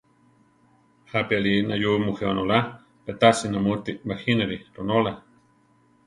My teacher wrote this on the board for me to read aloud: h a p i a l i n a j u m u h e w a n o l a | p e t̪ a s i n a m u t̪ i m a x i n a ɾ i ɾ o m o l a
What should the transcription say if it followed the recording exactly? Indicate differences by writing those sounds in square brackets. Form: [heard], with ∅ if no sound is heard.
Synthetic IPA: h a p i a l i n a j u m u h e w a n o l a | p e t̪ a s i n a m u t̪ i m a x i n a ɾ i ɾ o [n] o l a